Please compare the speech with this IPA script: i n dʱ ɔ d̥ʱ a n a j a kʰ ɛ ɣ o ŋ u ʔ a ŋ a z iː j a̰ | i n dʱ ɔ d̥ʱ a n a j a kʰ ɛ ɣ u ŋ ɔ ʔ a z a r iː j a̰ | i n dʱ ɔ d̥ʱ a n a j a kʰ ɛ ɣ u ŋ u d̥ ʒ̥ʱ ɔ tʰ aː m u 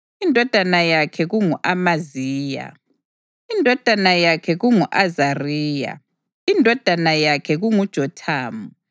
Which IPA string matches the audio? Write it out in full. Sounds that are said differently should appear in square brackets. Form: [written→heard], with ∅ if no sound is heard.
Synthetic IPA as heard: i n dʱ ɔ d̥ʱ a n a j a kʰ ɛ ɣ [o→u] ŋ u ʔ a [ŋ→m] a z iː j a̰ | i n dʱ ɔ d̥ʱ a n a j a kʰ ɛ ɣ u ŋ [ɔ→u] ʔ a z a r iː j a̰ | i n dʱ ɔ d̥ʱ a n a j a kʰ ɛ ɣ u ŋ u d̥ ʒ̥ʱ ɔ tʰ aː m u